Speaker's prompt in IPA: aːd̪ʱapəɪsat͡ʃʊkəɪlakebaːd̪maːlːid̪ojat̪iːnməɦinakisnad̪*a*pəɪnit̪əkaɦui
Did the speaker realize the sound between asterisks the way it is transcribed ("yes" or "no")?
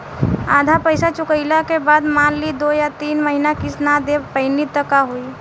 no